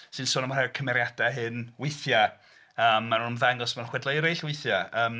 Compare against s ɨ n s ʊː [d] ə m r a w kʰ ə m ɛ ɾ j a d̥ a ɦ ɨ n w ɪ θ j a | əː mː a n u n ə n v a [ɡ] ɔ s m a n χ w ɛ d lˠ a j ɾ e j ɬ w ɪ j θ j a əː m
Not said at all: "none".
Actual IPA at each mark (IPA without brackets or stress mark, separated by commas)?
n, ŋ